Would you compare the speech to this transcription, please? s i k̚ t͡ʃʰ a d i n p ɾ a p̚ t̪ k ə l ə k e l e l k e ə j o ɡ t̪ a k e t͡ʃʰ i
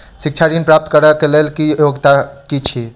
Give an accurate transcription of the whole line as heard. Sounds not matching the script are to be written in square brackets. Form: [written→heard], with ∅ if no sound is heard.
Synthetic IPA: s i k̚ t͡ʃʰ a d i n p ɾ a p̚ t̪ k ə [l→ɾ] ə k e l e l k [e→i] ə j o ɡ t̪ a k [e→i] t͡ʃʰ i